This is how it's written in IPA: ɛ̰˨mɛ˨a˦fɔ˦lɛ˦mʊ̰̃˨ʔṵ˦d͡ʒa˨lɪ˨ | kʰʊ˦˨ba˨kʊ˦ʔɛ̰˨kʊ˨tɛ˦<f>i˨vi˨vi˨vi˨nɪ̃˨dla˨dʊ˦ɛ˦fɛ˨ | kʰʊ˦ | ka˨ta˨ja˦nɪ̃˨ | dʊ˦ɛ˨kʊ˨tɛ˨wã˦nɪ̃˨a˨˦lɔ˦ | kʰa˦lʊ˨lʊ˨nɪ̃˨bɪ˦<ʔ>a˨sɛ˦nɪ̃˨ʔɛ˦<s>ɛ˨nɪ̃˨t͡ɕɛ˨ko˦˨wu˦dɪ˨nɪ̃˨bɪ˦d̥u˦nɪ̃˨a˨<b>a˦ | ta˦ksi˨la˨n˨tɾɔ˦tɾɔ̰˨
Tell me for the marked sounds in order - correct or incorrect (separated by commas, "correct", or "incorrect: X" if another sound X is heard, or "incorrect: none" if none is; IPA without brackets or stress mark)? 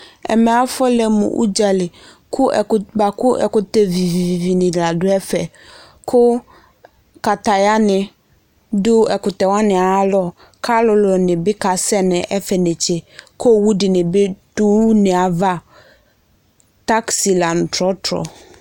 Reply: incorrect: v, incorrect: k, incorrect: f, incorrect: v